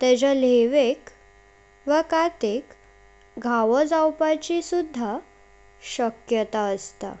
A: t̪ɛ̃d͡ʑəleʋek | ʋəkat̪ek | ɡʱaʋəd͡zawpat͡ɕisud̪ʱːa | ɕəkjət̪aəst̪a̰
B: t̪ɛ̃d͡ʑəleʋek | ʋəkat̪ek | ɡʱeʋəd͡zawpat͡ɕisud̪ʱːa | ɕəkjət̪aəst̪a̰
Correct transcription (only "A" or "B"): A